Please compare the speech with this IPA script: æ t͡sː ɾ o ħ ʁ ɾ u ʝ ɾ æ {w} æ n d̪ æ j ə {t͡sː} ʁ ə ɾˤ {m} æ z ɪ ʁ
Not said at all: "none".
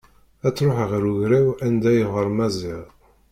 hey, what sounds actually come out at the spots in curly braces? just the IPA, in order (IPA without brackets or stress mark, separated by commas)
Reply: w, none, m